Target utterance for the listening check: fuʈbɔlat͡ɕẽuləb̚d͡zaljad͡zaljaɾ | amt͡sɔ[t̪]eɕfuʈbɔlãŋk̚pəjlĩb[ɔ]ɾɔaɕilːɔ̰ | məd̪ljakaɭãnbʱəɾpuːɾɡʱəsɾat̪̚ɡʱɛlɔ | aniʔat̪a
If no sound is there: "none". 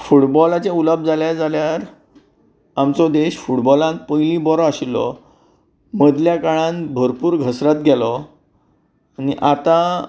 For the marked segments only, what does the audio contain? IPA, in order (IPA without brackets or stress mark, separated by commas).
d̪, ɔ